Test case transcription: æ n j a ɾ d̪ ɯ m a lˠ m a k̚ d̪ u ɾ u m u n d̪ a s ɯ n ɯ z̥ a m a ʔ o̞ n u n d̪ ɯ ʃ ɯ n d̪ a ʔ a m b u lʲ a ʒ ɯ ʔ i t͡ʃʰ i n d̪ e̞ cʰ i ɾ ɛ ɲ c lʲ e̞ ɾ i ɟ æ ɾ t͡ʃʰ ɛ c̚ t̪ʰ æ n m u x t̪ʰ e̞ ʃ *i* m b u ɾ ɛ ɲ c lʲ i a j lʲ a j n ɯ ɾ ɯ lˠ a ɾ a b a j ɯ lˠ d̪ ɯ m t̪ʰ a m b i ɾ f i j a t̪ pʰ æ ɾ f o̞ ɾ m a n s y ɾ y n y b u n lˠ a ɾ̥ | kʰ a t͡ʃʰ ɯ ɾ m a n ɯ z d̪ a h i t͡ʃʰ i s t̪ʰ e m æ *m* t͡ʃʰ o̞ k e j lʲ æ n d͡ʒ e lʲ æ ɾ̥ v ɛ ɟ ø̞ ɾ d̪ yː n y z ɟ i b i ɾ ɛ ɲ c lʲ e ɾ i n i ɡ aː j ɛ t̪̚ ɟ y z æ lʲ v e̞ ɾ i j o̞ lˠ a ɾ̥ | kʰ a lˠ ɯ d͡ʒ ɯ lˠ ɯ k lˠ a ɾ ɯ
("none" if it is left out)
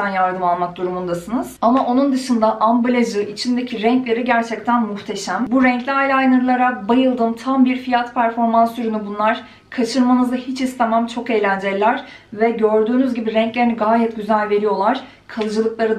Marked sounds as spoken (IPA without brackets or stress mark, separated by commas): æ, m